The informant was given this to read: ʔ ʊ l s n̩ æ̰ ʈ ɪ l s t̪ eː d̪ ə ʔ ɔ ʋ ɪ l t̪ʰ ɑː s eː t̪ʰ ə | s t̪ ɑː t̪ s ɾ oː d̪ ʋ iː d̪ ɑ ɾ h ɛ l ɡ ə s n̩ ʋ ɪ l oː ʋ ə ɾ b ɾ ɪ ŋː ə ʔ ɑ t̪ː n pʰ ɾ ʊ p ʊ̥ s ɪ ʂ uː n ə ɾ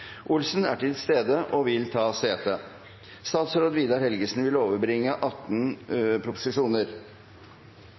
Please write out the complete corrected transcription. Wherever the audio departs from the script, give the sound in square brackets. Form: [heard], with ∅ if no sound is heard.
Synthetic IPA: ʔ ʊ l s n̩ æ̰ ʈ ɪ l s t̪ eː d̪ ə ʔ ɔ ʋ ɪ l t̪ʰ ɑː s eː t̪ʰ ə | s t̪ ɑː t̪ s ɾ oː d̪ ʋ iː d̪ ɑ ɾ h ɛ l ɡ ə s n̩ ʋ ɪ l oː ʋ ə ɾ b ɾ ɪ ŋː ə ʔ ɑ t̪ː n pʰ ɾ ʊ p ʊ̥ s ɪ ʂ uː n ə ɾ